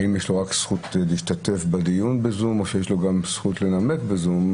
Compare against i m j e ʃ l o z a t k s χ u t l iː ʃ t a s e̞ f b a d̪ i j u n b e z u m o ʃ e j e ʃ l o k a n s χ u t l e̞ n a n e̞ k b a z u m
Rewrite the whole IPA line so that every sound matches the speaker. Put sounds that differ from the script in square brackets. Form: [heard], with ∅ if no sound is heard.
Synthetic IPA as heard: i m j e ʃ l o [ʁ] a [∅] k s χ u t l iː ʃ t a [t] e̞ f b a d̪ i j u n b e z u m o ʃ e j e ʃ l o [ɡ] a [m] s χ u t l e̞ n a [m] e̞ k b [e] z u m